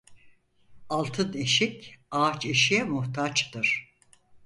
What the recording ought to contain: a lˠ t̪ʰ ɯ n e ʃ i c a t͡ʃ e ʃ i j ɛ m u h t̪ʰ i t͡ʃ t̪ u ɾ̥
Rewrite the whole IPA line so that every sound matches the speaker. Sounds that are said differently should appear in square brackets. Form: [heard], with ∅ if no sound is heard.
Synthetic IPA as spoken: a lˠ t̪ʰ ɯ n e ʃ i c a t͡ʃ e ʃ i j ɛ m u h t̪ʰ [a] t͡ʃ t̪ [ɯ] ɾ̥